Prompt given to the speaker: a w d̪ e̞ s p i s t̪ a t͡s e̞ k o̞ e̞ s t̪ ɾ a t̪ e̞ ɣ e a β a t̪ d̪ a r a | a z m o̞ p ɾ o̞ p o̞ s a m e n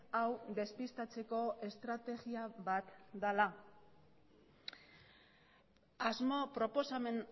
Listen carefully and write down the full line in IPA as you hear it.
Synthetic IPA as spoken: a w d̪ e̞ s p i s t̪ a t͡s e̞ k o̞ e̞ s t̪ ɾ a t̪ e̞ ɣ i a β a t̪ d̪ a l a | a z m o̞ p ɾ o̞ p o̞ s a m e n